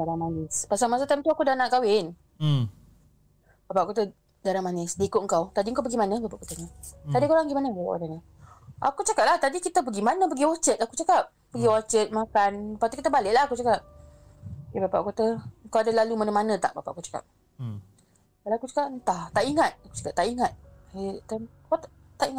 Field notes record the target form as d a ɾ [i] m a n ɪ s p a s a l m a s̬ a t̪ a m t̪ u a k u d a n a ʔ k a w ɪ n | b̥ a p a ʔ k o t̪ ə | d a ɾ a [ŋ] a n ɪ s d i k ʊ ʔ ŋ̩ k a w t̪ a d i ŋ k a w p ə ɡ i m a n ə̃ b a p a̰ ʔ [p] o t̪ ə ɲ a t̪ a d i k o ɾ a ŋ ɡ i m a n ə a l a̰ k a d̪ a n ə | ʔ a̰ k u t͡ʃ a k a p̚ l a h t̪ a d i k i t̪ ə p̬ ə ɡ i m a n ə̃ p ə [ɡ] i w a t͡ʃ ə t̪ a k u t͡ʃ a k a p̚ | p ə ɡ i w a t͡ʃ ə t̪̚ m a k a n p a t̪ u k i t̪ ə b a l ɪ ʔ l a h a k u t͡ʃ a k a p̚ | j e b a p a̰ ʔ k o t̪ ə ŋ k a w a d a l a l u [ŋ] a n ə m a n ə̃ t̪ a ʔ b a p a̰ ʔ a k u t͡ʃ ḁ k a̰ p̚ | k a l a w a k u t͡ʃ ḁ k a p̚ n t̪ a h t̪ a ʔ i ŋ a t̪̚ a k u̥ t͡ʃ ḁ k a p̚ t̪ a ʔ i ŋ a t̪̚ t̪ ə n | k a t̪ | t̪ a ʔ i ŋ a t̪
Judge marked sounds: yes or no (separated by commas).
no, no, no, yes, no